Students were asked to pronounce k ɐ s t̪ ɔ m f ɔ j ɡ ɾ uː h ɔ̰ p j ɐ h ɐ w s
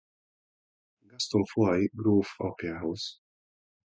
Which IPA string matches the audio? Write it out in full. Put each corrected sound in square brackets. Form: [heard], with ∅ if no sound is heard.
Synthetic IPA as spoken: [ɡ] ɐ s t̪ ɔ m f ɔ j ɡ ɾ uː [f] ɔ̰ p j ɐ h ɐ w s